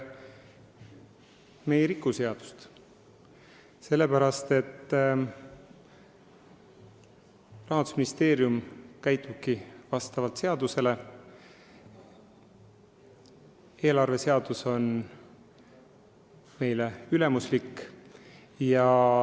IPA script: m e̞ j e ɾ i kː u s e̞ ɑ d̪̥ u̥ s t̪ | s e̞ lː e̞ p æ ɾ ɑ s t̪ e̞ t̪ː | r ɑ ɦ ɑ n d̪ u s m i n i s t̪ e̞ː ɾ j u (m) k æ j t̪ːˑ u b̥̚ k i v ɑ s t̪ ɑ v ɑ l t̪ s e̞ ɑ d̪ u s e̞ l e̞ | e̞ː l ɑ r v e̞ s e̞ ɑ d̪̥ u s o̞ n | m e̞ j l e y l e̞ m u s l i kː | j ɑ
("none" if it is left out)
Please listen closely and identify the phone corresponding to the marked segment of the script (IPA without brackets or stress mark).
m